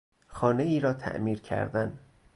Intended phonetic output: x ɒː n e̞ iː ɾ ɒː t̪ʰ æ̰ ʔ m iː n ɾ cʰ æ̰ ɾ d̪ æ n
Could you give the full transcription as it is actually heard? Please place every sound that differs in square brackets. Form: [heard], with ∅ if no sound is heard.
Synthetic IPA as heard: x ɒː n e̞ iː ɾ ɒː t̪ʰ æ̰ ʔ m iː [∅] ɾ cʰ æ̰ ɾ d̪ æ n